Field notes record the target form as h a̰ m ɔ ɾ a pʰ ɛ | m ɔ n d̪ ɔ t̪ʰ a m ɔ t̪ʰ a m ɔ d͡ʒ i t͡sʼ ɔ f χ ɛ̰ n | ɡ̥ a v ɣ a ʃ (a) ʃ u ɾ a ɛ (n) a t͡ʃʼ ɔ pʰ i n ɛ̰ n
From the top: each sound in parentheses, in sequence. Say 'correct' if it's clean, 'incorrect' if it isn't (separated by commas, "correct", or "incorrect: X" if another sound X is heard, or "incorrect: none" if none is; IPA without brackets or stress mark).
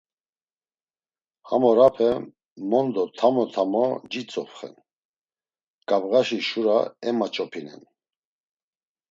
incorrect: i, incorrect: m